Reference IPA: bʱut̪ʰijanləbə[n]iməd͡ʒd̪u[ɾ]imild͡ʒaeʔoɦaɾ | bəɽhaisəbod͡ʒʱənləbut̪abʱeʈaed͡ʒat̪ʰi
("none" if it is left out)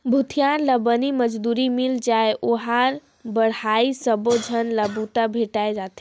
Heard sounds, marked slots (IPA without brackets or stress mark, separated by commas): n, ɾ